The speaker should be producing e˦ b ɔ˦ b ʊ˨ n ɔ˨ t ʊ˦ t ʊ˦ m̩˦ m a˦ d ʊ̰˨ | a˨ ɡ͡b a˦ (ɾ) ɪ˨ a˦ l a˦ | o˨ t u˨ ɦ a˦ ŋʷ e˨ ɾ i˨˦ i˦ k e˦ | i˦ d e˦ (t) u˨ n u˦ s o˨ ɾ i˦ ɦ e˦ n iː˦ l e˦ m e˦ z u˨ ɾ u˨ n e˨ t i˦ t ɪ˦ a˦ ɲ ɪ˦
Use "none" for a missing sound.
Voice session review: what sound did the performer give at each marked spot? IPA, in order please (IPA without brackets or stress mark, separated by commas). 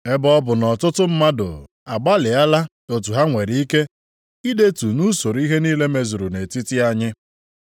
l, t